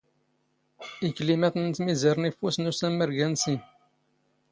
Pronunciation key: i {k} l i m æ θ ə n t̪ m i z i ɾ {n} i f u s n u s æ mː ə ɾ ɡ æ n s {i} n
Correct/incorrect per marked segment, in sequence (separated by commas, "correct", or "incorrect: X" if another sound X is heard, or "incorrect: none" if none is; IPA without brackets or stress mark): correct, correct, correct